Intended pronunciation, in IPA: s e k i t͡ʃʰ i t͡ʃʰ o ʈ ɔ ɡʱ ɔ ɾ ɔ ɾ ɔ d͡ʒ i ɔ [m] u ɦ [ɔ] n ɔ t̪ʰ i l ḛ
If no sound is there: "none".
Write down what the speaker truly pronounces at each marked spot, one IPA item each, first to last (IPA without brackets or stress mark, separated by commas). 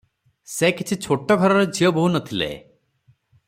b, u